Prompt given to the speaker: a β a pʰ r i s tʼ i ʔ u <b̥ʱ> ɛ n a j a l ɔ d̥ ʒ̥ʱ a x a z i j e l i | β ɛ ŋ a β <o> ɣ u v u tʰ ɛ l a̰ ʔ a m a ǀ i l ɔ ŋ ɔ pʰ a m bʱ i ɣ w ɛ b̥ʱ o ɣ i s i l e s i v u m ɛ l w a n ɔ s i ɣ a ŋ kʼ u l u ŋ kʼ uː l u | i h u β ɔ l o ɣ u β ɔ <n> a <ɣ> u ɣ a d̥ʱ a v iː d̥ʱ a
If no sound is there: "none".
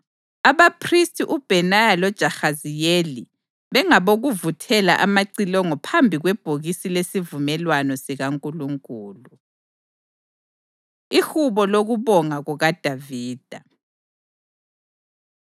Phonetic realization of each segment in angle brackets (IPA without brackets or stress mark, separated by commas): b̥ʱ, o, ŋ, ɣ